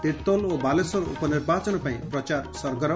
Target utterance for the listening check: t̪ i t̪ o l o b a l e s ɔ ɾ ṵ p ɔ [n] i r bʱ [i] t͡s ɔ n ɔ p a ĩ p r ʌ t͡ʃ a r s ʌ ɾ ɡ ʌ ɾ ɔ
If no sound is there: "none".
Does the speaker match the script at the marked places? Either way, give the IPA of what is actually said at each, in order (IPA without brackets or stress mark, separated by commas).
n, a